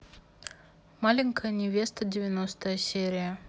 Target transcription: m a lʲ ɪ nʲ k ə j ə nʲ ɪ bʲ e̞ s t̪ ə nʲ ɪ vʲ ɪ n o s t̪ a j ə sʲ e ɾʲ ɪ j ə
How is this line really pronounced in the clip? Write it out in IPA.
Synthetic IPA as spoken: m a lʲ ɪ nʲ k ə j ə nʲ ɪ vʲ e̞ s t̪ ə dʲ ɪ vʲ ɪ n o s t̪ ə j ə sʲ e ɾʲ ɪ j ə